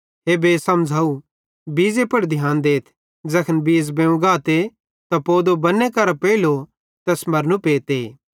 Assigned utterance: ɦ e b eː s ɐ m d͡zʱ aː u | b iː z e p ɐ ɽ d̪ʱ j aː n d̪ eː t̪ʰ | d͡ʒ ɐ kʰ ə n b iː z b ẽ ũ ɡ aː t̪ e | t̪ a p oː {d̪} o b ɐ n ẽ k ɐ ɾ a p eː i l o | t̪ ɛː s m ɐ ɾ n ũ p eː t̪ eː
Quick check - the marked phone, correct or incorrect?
correct